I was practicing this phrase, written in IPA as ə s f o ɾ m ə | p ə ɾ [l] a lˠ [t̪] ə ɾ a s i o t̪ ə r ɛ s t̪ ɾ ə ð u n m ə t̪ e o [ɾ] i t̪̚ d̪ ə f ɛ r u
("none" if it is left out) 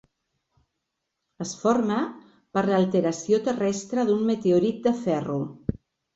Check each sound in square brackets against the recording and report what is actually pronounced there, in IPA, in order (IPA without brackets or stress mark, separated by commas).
l, t̪, ɾ